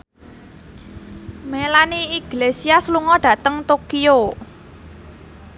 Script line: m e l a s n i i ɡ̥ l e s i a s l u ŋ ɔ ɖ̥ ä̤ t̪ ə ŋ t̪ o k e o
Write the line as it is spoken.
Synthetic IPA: m e l a n i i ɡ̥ l e s i a s l u ŋ ɔ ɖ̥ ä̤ t̪ ə ŋ t̪ o k i o

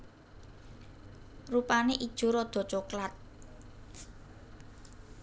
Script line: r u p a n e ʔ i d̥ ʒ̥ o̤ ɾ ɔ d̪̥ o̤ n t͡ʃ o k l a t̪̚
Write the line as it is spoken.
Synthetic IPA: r u p a n e ʔ i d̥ ʒ̥ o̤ ɾ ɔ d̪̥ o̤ t͡ʃ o k l a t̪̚

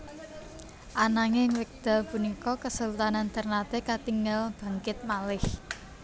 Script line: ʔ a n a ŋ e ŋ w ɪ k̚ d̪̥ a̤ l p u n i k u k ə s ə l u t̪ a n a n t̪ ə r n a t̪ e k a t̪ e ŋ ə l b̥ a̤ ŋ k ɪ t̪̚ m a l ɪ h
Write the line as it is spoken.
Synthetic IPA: ʔ a n a ŋ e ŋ w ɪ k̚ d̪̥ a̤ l p u n i k ɔ k ə s ə l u t̪ a n a n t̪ ə r n a t̪ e k a t̪ i ŋ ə l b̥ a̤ ŋ k ɪ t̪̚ m a l ɪ h

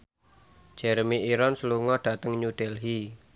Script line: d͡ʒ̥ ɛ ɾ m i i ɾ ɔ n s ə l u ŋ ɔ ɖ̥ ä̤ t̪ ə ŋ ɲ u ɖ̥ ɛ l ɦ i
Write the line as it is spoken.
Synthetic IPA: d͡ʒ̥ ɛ ɾ m i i ɾ ɔ n s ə l u ŋ ɔ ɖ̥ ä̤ t̪ ə ŋ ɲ u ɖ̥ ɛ l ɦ i

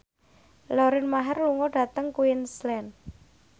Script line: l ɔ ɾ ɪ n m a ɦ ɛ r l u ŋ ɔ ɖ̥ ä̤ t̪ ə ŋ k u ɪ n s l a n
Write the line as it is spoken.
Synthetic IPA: l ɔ ɾ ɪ n m a ɦ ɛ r l u ŋ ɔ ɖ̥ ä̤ t̪ ə ŋ k u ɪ n s l ɛ n

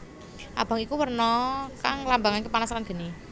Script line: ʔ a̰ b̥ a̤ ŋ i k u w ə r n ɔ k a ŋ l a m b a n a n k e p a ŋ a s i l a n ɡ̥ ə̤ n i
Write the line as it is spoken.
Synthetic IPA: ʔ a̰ b̥ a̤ ŋ i k u w ə r n ɔ k a ŋ l a m b a ŋ a n k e p a n a s a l a n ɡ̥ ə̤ n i

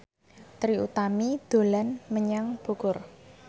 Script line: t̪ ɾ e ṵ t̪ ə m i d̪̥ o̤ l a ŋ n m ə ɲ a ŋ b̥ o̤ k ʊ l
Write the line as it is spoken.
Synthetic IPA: t̪ ɾ i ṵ t̪ a m i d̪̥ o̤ l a n m ə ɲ a ŋ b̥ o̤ k ʊ r

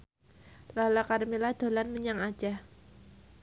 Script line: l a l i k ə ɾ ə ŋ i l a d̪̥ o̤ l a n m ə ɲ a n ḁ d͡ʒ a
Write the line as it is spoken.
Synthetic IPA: l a l a k a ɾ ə m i l a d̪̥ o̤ l a n m ə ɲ a ŋ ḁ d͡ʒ a

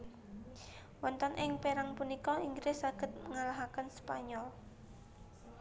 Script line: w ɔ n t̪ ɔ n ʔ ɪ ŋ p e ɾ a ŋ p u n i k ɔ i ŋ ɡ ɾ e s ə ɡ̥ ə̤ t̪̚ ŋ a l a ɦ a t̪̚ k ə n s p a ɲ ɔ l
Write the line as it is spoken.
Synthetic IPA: w ɔ n t̪ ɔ n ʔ ɪ ŋ p e ɾ a ŋ p u n i k ɔ i ŋ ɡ ɾ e s a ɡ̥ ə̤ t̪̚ ŋ a l a ɦ a k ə n s p a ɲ ɔ l

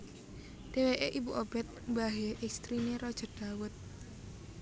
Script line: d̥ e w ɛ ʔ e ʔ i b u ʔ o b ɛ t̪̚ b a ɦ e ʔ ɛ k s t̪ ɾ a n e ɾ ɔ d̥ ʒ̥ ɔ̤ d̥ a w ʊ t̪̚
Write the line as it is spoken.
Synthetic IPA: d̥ e w e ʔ e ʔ i b u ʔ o b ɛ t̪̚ b a ɦ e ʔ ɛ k s t̪ ɾ i n e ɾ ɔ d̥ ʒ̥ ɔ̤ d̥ a w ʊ t̪̚

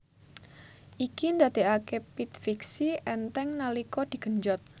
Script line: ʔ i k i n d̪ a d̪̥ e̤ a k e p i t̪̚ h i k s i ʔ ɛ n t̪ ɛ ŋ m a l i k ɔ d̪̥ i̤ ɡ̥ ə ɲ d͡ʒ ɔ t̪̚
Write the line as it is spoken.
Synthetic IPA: ʔ i k i n d̪ a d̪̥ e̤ a k e p i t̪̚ f i k s i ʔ ɛ n t̪ ɛ ŋ n a l i k ɔ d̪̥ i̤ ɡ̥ ə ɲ d͡ʒ ɔ t̪̚

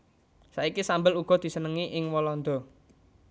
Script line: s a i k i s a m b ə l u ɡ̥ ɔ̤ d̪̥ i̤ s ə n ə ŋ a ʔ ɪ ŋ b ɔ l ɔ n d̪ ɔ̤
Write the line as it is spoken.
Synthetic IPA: s a i k i s a m b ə l u ɡ̥ ɔ̤ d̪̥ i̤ s ə n ə ŋ i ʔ ɪ ŋ w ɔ l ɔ n d̪ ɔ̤

